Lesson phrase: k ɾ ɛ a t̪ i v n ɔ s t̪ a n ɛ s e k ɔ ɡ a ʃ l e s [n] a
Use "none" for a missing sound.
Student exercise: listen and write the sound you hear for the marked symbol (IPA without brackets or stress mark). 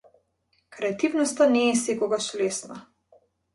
n